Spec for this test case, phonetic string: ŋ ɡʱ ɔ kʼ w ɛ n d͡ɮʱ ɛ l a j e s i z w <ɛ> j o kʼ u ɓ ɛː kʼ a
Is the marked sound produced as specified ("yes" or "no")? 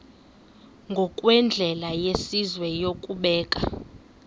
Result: yes